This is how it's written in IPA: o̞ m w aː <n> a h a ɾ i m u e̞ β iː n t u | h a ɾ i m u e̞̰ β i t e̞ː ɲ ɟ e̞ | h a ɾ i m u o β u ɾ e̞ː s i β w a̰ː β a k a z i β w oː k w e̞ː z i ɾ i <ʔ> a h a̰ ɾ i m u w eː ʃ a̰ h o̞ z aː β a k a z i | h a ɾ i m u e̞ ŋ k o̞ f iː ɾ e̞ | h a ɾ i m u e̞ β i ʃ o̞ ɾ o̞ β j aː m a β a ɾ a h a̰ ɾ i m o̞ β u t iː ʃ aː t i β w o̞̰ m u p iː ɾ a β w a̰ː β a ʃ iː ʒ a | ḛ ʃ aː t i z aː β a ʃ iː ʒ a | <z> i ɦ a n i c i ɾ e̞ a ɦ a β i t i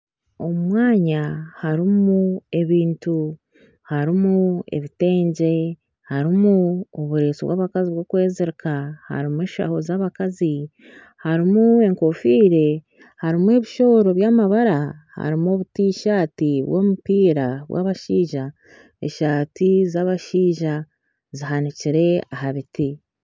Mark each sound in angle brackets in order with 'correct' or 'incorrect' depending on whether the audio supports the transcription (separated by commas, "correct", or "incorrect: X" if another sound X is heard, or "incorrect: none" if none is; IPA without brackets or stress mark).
incorrect: ɲ, incorrect: k, correct